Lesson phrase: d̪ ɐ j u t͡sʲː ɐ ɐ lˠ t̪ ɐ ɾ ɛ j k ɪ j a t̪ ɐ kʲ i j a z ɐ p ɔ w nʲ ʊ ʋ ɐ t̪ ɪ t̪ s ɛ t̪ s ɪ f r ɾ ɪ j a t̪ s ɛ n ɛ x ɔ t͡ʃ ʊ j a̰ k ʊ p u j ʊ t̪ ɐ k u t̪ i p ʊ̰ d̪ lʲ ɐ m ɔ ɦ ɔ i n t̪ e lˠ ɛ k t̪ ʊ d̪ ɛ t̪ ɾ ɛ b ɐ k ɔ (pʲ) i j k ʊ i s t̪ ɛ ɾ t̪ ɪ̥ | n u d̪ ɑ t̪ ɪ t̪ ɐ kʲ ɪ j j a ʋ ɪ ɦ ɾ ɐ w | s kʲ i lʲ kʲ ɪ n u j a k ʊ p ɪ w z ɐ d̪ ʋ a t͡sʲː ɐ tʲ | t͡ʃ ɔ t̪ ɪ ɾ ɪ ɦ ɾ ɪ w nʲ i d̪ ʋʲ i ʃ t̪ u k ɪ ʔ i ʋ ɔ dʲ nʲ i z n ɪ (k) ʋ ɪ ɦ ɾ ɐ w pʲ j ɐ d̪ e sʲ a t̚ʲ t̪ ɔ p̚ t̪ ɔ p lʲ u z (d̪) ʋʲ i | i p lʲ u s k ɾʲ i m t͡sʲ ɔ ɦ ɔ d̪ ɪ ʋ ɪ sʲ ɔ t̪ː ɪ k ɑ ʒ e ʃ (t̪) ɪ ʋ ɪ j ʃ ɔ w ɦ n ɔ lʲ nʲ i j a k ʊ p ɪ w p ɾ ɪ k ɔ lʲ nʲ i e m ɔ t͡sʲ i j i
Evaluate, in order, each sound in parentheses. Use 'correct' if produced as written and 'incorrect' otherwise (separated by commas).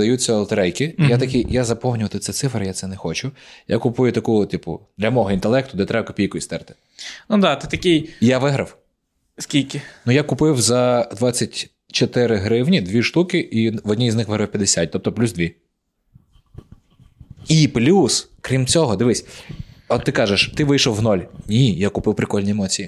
correct, incorrect, correct, correct